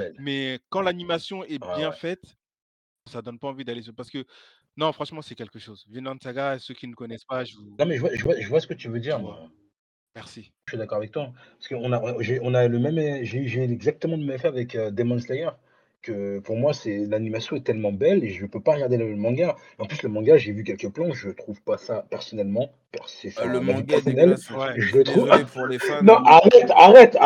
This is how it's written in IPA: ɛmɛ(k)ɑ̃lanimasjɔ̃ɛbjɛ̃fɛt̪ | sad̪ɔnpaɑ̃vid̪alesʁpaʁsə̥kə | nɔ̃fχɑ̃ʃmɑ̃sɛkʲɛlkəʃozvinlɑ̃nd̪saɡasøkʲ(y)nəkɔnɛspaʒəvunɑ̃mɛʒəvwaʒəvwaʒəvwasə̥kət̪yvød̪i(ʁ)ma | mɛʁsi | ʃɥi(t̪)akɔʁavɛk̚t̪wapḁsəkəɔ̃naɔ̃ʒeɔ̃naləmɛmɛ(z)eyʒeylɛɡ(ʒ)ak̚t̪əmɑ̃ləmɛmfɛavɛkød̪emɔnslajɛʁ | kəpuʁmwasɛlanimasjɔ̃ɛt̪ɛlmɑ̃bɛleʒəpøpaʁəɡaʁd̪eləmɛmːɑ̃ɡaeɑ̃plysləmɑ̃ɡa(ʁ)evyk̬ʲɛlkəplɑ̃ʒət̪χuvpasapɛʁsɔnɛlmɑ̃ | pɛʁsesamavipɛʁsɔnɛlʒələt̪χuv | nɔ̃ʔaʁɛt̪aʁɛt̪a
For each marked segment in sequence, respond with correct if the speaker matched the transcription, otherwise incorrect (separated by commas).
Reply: correct, incorrect, correct, incorrect, incorrect, incorrect, incorrect